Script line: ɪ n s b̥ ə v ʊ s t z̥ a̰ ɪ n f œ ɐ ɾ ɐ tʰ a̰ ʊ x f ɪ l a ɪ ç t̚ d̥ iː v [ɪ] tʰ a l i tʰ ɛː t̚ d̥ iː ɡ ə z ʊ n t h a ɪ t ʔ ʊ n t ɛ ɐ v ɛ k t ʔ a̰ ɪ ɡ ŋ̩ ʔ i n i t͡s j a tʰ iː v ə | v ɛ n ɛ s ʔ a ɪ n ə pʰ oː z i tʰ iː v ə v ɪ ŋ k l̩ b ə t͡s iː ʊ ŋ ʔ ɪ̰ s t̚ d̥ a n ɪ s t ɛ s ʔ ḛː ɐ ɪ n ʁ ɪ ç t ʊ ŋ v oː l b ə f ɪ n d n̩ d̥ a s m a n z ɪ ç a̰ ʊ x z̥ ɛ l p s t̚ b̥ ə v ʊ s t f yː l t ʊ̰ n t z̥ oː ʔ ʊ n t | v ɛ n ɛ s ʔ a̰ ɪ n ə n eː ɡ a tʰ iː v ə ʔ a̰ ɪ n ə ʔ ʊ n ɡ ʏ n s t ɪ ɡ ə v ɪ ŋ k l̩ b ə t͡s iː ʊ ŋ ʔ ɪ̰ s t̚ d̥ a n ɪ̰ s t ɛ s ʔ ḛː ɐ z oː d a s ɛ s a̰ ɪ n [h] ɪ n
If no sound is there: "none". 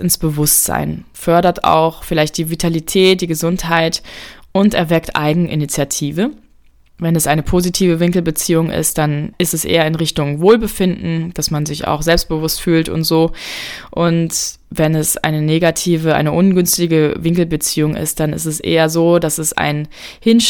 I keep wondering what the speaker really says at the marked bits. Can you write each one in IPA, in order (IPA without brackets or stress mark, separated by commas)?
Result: i, h